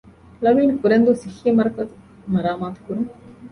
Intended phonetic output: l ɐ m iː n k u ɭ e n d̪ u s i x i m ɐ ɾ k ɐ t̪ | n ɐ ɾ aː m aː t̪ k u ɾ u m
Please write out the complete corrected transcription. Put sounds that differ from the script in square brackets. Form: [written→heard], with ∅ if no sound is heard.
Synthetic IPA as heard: l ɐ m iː n k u [ɭ→ɾ] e n d̪ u s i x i m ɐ ɾ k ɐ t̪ | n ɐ ɾ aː m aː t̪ k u ɾ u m